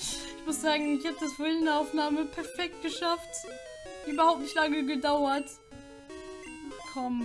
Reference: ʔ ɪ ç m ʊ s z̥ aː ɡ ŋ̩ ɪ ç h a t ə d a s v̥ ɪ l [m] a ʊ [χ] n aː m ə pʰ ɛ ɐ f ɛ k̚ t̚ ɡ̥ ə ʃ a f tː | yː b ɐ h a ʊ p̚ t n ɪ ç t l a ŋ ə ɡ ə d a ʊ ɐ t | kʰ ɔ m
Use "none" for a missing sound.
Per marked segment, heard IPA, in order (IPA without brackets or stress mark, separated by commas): n, f